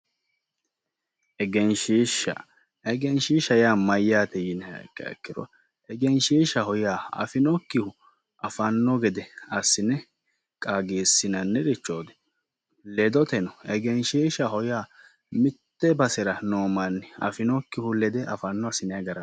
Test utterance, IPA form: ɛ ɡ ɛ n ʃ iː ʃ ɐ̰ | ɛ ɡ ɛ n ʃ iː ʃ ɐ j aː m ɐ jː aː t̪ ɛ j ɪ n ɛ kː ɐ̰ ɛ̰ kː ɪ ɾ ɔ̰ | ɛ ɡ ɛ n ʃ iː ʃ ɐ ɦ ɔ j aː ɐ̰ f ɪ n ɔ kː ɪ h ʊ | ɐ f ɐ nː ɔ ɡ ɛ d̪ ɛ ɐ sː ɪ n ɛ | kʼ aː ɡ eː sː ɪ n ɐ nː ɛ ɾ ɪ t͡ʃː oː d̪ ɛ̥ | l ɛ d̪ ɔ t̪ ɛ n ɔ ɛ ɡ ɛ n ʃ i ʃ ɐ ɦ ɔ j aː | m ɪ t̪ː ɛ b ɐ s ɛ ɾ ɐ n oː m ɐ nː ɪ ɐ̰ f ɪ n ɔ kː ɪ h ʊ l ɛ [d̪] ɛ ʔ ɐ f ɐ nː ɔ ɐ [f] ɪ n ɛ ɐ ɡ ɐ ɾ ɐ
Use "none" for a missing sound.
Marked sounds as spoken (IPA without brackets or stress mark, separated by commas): d̪, s